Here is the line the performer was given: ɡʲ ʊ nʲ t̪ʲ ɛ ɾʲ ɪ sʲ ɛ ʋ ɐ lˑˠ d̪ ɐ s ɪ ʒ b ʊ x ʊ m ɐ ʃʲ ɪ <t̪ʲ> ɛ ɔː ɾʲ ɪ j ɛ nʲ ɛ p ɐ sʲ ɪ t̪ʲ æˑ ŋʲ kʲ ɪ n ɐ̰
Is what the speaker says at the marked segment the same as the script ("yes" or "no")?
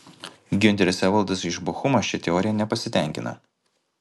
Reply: yes